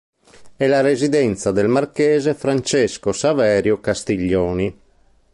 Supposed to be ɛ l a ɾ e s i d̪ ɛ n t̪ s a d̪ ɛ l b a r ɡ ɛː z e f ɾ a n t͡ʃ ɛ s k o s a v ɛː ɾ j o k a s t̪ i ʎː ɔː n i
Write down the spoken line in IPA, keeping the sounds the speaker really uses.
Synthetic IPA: ɛ l a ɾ e z i d̪ ɛ n t̪ s a d̪ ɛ l m a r k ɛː z e f ɾ a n t͡ʃ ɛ s k o s a v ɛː ɾ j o k a s t̪ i ʎː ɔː n i